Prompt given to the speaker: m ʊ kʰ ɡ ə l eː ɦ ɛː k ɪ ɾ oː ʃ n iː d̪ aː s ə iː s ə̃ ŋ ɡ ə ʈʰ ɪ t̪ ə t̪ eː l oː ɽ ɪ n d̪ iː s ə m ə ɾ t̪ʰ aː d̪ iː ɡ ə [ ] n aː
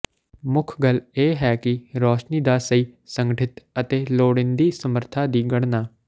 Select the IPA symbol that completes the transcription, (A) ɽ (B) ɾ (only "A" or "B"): A